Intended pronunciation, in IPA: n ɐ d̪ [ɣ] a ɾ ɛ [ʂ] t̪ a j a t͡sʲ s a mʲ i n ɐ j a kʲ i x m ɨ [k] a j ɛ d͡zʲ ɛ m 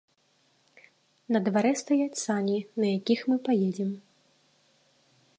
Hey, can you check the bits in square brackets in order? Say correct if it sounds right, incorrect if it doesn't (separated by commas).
incorrect, incorrect, incorrect